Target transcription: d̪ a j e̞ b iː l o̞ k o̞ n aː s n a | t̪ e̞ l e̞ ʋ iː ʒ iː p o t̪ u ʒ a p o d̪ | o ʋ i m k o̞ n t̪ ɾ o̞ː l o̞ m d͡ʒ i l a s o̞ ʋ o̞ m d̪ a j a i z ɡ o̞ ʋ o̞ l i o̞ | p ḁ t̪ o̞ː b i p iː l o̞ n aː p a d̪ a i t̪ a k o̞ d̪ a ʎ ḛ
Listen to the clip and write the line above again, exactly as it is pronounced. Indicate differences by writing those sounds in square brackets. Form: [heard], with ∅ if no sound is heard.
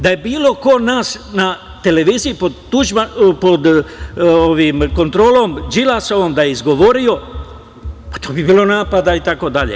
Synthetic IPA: d̪ a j e̞ b iː l o̞ k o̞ n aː s n a | t̪ e̞ l e̞ ʋ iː [z] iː p o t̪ u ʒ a p o d̪ | o ʋ i m k o̞ n t̪ ɾ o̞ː l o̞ m d͡ʒ i l a s o̞ ʋ o̞ m d̪ a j [e] i z ɡ o̞ ʋ o̞ [ɾ] i o̞ | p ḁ t̪ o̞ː b i [b] iː l o̞ n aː p a d̪ a i t̪ a k o̞ d̪ a ʎ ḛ